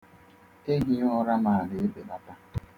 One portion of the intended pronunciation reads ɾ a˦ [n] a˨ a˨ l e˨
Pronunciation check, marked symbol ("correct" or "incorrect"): incorrect